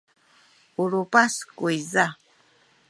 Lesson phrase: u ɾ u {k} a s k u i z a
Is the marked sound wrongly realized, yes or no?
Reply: yes